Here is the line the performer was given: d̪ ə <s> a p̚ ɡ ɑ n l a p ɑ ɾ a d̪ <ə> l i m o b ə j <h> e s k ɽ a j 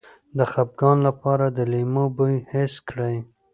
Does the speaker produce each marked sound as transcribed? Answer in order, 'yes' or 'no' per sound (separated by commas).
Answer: no, yes, yes